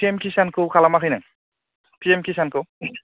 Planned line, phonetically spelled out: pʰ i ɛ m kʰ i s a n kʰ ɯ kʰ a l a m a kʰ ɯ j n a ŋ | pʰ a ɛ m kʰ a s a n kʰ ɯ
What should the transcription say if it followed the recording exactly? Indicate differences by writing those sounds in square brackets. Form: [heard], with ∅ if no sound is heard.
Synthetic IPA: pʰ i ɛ m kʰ i s a n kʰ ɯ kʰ a l a m a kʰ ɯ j n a ŋ | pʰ [i] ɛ m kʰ [i] s a n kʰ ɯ